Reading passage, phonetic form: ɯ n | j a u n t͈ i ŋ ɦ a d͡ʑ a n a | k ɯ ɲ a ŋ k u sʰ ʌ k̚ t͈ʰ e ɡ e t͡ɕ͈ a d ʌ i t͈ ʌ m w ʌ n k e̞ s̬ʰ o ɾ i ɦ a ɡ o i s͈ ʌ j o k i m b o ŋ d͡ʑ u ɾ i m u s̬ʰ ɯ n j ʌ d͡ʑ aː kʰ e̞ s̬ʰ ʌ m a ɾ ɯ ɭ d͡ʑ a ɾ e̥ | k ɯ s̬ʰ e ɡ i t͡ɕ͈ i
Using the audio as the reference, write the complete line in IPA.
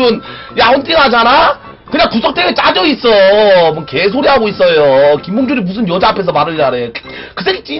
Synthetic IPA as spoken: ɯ n | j a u n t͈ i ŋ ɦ a d͡ʑ a n a | k ɯ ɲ a ŋ k u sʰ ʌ k̚ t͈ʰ e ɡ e t͡ɕ͈ a d͡ʑ ʌ i s͈ ʌ m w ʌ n k e̞ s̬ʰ o ɾ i ɦ a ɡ o i s͈ ʌ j o k i m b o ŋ d͡ʑ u ɾ i m u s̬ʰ ɯ n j ʌ d͡ʑ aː pʰ e̞ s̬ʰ ʌ m a ɾ ɯ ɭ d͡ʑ a ɾ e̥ | k ɯ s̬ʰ e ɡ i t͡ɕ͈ i